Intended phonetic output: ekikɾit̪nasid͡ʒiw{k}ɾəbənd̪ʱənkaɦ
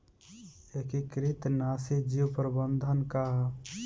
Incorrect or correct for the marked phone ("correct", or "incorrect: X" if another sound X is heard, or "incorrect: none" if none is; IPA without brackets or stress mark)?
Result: incorrect: p